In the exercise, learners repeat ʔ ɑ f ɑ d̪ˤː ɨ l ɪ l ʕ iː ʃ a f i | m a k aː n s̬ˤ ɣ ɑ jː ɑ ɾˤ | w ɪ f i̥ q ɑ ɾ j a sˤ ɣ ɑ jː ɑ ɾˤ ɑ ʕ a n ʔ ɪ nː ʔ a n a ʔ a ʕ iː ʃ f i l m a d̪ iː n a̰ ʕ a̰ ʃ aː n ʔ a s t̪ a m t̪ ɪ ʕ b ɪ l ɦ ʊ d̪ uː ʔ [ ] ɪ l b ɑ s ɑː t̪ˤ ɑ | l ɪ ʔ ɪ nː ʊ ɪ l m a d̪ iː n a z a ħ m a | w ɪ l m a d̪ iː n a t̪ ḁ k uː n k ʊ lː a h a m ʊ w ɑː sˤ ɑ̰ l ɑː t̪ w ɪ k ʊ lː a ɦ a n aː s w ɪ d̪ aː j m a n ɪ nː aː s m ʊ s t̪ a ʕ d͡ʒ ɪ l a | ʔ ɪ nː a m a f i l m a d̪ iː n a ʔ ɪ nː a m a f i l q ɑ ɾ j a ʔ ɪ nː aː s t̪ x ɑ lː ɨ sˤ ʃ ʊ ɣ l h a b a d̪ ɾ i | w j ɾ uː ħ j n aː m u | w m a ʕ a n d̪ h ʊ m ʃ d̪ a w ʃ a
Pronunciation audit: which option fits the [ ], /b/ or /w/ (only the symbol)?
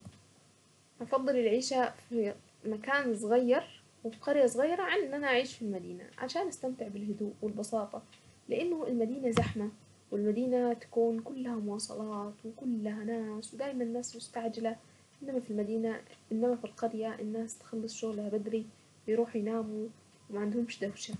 w